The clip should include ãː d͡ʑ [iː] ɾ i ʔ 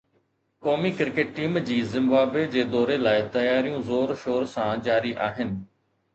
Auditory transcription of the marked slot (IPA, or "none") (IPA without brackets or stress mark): aː